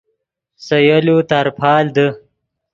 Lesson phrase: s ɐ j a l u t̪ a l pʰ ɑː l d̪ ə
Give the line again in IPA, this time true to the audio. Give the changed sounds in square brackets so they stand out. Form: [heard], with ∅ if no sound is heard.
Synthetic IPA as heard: s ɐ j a l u t̪ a [ɾ] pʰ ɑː l d̪ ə